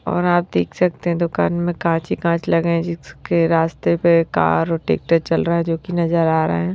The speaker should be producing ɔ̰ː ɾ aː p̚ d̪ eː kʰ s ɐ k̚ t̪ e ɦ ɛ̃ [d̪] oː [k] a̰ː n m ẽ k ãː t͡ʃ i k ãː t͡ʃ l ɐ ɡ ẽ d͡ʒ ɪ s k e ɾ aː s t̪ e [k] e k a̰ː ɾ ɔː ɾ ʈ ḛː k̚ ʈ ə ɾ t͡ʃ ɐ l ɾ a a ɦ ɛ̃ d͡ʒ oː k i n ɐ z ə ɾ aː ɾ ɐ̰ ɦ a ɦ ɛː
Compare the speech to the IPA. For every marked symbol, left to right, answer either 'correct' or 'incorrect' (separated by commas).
correct, correct, incorrect